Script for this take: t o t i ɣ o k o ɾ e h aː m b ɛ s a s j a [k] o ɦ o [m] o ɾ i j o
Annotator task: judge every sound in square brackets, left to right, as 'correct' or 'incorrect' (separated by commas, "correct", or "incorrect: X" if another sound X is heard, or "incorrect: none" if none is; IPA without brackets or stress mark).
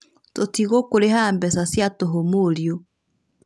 incorrect: t, correct